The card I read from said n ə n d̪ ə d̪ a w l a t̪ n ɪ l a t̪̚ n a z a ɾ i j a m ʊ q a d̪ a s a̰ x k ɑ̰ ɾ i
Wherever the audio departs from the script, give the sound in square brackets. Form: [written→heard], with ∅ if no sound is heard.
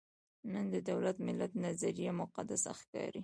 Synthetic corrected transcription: n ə n d̪ ə d̪ a w l a t̪ [n→m] ɪ l a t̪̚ n a z a ɾ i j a m ʊ q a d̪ a s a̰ x k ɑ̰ ɾ i